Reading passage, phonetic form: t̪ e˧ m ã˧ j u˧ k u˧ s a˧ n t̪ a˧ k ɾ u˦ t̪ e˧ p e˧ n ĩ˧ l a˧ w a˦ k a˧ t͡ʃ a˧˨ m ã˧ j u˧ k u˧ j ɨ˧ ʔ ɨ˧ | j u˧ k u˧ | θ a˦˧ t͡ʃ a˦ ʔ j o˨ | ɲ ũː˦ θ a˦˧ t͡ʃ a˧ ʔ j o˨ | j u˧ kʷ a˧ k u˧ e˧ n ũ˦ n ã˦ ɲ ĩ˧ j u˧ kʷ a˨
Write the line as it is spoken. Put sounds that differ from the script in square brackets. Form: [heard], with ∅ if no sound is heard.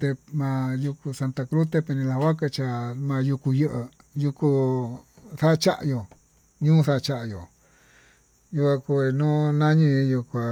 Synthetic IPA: t̪ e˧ m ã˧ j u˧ k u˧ s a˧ n t̪ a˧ k ɾ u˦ t̪ e˧ p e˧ n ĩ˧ l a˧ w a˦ k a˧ t͡ʃ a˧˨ m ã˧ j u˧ k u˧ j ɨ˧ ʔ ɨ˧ | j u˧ k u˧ | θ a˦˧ t͡ʃ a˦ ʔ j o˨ | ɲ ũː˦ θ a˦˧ t͡ʃ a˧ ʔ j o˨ | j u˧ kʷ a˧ k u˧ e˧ n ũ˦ n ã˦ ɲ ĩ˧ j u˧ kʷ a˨